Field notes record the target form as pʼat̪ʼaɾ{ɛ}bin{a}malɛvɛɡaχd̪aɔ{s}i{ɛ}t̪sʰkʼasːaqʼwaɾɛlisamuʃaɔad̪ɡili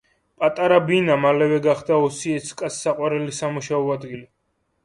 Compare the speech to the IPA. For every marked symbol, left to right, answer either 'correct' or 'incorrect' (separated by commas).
incorrect, correct, correct, correct